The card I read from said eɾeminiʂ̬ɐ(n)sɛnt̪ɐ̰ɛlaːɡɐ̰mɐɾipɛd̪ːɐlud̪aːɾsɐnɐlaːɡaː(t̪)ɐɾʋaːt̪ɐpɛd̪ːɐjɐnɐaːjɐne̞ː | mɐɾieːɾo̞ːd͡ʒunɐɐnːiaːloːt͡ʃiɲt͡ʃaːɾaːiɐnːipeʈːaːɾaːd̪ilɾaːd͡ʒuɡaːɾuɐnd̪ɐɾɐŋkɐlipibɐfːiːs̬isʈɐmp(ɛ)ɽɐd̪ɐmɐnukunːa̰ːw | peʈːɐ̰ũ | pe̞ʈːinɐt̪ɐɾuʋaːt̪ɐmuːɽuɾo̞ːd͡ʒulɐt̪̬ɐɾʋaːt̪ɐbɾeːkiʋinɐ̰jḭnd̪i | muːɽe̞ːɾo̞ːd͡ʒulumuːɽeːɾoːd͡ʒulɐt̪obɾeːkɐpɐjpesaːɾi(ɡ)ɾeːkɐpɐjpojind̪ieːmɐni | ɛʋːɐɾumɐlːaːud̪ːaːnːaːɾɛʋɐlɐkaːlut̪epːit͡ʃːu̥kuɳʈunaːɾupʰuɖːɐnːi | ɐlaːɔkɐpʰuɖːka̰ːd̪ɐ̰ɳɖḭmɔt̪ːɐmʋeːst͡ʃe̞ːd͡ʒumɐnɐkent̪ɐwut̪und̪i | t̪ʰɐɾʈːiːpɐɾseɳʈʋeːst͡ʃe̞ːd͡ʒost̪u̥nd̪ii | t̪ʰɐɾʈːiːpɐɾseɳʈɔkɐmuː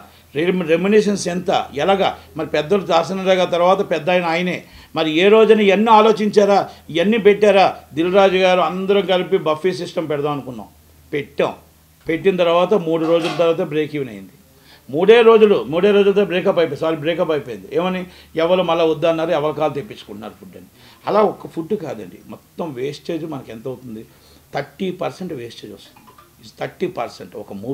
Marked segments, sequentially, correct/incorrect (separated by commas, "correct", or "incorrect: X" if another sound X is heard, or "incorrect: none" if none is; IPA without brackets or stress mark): correct, correct, correct, incorrect: b